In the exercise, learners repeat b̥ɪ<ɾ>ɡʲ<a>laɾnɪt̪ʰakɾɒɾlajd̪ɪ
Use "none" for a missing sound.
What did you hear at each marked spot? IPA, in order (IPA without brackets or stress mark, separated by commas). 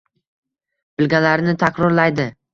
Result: l, a